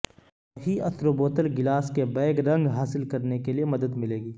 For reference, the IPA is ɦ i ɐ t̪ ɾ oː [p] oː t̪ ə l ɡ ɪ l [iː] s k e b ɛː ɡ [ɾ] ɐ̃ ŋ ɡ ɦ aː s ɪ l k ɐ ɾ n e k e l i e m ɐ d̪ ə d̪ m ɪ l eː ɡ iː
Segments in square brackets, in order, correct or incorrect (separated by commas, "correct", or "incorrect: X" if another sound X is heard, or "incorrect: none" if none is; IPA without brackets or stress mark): incorrect: b, incorrect: aː, correct